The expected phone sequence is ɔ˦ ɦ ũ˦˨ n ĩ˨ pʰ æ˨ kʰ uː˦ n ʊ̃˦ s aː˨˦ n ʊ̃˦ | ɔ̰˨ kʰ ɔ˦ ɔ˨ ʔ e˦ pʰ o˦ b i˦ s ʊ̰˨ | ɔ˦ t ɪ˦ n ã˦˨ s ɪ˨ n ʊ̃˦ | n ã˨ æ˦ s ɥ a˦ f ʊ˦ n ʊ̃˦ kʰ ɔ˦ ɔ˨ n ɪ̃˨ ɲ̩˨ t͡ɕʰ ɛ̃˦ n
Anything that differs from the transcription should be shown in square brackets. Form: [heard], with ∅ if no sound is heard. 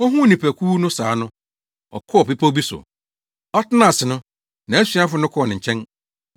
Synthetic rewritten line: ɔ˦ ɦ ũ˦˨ n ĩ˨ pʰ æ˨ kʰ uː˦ n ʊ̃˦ s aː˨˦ n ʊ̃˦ | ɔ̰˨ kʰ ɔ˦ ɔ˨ [p] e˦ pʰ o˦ b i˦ s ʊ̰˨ | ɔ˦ t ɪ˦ n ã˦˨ s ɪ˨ n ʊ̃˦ | n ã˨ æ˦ s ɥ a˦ f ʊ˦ n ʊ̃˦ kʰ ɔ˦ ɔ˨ n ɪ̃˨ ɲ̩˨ t͡ɕʰ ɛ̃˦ n